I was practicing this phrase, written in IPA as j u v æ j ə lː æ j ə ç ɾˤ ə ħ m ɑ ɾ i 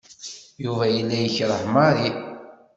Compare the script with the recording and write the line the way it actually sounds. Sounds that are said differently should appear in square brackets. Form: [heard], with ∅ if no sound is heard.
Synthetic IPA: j u v æ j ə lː æ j ə ç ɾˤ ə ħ m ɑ ɾ i